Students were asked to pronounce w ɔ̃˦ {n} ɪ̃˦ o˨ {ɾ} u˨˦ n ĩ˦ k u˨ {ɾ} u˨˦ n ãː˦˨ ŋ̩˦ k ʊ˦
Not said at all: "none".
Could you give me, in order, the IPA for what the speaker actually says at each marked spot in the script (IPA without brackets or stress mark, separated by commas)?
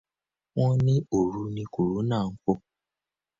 n, ɾ, ɾ